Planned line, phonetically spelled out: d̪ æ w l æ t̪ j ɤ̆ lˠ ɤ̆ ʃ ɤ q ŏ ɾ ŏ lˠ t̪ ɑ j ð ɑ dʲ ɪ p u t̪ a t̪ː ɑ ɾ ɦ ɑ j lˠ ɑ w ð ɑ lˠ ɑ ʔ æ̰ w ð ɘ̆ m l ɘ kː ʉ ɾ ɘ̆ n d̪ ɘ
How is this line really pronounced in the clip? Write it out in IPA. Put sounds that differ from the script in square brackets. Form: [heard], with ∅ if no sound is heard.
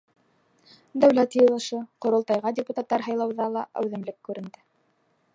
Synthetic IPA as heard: d̪ æ w l æ t̪ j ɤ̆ lˠ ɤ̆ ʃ ɤ q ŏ ɾ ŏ lˠ t̪ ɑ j [ʁ] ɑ dʲ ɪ p u t̪ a t̪ː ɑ ɾ ɦ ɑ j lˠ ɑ w ð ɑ lˠ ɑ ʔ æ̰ w ð ɘ̆ m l ɘ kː ʉ ɾ ɘ̆ n d̪ ɘ